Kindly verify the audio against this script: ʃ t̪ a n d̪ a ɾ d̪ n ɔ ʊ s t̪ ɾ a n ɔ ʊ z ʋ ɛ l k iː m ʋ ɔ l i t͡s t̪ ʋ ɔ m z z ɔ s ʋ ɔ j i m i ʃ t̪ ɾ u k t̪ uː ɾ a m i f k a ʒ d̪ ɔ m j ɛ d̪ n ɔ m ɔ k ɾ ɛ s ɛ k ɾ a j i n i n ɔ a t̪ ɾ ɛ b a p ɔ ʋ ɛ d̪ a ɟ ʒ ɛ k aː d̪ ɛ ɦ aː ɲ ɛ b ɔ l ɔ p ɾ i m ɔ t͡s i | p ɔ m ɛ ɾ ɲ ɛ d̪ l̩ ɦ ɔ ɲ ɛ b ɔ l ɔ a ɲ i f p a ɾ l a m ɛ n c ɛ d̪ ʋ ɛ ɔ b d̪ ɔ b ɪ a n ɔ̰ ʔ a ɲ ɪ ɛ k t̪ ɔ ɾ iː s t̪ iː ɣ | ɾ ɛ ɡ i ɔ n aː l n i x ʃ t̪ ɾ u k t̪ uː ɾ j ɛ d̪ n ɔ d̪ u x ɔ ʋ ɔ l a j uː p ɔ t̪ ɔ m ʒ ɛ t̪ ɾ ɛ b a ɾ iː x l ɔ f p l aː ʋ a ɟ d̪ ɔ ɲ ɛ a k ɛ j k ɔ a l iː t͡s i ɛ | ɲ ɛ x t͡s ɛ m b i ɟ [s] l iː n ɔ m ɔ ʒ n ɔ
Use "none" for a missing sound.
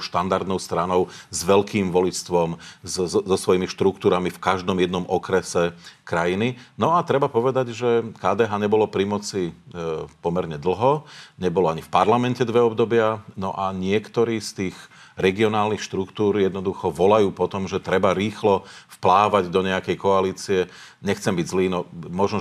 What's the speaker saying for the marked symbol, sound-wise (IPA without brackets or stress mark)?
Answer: z